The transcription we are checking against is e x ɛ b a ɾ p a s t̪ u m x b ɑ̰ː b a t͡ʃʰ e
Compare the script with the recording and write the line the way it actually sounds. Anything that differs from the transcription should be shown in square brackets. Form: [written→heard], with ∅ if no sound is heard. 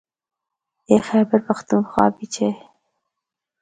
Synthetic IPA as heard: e x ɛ b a ɾ p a [s→x] t̪ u [m→n] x [b→w] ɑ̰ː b [a→i] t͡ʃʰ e